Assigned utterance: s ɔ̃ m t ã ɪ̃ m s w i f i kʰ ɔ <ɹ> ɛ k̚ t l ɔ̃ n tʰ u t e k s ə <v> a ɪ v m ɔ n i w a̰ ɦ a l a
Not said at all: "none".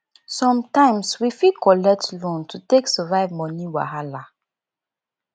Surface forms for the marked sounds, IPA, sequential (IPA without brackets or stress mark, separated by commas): l, v